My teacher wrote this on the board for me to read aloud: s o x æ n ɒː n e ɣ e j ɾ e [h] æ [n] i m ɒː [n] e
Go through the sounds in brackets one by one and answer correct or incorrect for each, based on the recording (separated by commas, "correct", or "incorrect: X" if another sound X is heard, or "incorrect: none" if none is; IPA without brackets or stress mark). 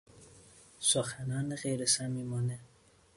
incorrect: s, incorrect: m, correct